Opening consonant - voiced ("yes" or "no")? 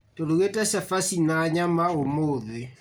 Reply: no